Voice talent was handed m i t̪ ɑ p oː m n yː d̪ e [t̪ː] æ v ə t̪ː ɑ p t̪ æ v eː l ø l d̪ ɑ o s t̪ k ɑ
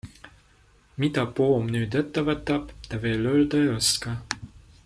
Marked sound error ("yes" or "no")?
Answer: no